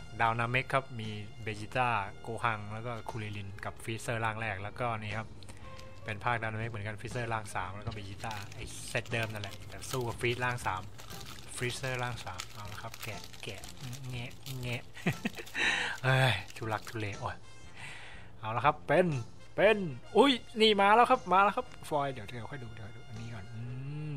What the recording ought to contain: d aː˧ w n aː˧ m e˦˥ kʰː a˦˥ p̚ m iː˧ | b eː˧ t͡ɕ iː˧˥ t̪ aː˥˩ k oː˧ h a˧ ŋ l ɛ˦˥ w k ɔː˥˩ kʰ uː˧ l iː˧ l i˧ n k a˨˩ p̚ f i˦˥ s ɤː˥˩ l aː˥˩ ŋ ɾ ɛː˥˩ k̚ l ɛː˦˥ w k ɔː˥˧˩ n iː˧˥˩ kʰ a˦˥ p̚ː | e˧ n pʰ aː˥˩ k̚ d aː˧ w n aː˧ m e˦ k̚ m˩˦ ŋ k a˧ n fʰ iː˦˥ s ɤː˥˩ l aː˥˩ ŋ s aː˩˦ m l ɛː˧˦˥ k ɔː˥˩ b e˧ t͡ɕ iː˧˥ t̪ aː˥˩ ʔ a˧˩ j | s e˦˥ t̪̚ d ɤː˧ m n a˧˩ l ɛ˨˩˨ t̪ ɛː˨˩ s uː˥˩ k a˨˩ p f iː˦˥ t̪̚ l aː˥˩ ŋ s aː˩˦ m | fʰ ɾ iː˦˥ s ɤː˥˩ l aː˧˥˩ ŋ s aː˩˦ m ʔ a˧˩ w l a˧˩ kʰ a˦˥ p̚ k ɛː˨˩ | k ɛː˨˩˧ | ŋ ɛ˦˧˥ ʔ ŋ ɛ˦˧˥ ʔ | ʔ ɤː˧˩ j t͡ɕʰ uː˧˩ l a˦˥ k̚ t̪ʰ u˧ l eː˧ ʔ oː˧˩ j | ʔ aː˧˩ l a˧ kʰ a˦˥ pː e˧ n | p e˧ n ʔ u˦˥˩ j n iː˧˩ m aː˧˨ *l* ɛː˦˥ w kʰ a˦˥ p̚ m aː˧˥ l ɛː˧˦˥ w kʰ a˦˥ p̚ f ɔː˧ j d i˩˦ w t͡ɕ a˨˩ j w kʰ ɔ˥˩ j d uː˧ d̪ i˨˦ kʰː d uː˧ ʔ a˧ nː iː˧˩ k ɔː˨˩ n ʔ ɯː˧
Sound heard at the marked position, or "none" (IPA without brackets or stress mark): l